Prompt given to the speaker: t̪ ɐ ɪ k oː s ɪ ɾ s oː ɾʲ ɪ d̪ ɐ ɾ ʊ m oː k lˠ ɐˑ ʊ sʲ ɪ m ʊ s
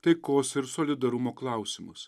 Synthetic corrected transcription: t̪ ɐ ɪ k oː s ɪ ɾ s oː lʲ ɪ d̪ ɐ ɾ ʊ m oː k lˠ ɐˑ ʊ sʲ ɪ m ʊ s